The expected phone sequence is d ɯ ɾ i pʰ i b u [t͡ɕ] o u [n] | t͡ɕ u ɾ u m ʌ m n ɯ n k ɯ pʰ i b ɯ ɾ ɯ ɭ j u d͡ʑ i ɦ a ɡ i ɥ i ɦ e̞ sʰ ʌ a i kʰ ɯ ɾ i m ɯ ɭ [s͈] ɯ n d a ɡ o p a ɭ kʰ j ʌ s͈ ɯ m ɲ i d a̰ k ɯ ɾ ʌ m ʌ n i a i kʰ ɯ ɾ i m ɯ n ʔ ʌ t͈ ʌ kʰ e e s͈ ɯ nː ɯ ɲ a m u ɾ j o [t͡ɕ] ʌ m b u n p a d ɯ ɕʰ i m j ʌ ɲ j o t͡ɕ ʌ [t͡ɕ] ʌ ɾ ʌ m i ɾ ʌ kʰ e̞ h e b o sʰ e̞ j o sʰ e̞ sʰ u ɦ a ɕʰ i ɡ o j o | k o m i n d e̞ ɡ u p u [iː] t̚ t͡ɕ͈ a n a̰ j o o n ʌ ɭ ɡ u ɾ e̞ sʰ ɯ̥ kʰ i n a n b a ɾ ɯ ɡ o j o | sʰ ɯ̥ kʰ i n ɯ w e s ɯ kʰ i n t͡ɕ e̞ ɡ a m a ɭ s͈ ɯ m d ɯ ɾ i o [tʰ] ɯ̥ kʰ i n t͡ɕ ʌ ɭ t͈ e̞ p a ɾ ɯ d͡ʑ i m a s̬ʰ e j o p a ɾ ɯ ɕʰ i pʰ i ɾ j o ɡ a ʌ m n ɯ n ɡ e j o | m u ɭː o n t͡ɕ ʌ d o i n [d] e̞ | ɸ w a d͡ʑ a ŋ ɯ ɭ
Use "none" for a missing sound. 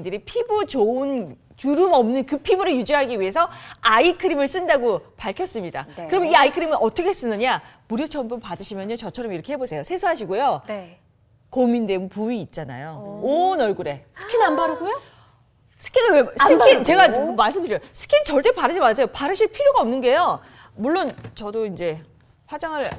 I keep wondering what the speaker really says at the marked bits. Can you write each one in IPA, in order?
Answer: t͡ɕ, n, s͈, t͡ɕʰ, t͡ɕʰ, iː, sʰ, d͡ʑ

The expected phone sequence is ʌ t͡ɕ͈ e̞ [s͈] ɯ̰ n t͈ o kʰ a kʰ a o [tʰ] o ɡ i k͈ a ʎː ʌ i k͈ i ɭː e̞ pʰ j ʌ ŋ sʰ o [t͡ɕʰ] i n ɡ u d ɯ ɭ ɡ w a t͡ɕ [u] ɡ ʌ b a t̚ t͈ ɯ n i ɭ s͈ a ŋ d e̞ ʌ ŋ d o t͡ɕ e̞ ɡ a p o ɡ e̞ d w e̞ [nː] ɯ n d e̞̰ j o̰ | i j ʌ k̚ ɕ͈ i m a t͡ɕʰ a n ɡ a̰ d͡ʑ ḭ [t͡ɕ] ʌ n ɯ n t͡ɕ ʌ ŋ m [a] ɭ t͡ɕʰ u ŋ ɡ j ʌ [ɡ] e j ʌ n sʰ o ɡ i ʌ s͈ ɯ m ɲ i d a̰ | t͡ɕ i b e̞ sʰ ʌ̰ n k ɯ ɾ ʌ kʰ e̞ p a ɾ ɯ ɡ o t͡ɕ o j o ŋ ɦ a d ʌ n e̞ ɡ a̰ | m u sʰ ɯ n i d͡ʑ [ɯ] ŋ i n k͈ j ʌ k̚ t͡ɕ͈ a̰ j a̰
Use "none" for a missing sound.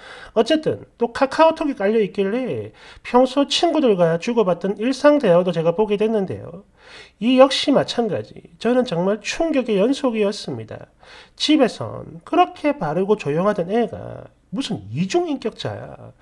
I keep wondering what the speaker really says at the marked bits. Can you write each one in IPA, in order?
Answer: t͈, tʰ, t͡ɕʰ, u, nː, t͡ɕ, a, ɡ, u

